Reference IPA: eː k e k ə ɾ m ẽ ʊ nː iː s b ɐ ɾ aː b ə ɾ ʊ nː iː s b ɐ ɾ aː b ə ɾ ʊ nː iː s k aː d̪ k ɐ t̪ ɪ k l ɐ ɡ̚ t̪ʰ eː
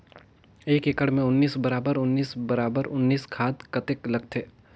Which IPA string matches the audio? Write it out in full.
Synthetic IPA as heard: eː k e k ə ɽ m ẽ ʊ nː iː s b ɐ ɾ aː b ə ɾ ʊ nː iː s b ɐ ɾ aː b ə ɾ ʊ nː iː s kʰ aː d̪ k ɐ t̪ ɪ k l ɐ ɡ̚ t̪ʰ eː